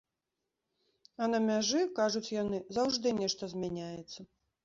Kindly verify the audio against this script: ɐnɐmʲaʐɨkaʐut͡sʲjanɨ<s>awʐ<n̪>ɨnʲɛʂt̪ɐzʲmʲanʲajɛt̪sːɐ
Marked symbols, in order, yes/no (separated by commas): no, no